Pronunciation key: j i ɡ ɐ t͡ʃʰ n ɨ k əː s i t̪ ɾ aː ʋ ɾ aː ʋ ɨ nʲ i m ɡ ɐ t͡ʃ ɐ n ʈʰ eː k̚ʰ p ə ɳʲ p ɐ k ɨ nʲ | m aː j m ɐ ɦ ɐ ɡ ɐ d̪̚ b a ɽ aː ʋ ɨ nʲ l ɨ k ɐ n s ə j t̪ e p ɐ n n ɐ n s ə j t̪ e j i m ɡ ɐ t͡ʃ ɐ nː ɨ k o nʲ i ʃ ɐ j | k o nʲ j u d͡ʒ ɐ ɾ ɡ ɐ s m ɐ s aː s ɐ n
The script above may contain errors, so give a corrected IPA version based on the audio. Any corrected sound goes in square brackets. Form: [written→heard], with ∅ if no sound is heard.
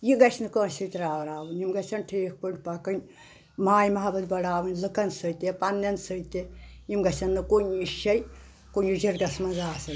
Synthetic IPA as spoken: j i ɡ ɐ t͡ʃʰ n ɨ k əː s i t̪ ɾ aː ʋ ɾ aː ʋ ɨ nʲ i m ɡ ɐ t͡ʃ ɐ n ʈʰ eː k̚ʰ p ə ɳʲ p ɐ k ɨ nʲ | m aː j m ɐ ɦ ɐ [ɡ→b] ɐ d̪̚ b [a→ɐ] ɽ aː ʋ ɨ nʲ l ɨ k ɐ n s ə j t̪ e p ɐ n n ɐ n s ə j t̪ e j i m ɡ ɐ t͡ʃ ɐ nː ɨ k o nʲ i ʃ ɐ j | k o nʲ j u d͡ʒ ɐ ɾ ɡ ɐ s m ɐ [s→z] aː s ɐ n